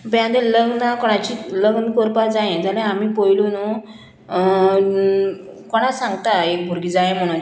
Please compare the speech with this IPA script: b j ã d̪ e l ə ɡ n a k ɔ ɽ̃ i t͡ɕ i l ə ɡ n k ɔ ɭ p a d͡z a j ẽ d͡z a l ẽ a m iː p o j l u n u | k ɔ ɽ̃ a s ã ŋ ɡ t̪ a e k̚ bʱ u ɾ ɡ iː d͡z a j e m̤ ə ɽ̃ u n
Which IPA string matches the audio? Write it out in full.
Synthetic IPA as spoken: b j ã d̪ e l ə ɡ n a k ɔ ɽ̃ a t͡ɕ i l ə ɡ n k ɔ ɾ p a d͡z a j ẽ d͡z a l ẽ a m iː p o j l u n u | k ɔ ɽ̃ a s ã ŋ ɡ t̪ a e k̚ bʱ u ɾ ɡ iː d͡z a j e m̤ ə ɽ̃ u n